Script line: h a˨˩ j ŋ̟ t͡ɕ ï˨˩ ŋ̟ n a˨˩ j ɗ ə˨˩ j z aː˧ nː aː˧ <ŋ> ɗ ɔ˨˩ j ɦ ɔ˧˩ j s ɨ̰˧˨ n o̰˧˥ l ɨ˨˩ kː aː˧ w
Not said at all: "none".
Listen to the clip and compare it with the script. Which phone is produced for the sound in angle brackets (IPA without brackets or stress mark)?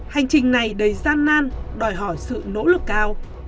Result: n